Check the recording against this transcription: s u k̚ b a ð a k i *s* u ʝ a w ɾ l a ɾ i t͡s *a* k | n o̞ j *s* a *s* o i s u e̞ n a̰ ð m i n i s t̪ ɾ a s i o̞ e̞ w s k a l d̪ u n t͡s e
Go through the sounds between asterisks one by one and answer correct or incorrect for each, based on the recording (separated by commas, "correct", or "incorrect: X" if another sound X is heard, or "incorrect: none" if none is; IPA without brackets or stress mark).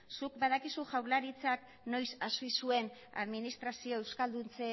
correct, correct, correct, correct